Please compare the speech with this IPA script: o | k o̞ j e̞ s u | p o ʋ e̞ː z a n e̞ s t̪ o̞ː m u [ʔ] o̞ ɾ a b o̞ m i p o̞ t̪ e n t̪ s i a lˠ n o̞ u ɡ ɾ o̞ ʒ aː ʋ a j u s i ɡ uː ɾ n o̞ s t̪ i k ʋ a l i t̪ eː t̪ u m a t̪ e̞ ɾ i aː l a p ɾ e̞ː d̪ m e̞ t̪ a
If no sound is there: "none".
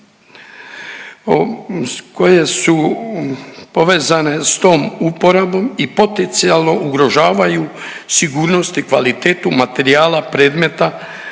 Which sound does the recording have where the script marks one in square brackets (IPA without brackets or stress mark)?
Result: p